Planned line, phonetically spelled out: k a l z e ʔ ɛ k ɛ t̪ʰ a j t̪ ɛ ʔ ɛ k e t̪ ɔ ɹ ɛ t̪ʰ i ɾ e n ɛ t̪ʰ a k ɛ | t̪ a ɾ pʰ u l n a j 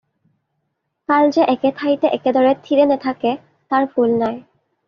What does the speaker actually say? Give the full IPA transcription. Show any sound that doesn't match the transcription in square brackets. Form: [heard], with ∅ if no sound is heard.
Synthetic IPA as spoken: k a l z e ʔ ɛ k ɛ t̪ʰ a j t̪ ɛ ʔ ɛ k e [d̪] ɔ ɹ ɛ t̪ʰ i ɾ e n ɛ t̪ʰ a k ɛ | t̪ a [ɹ] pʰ u l n a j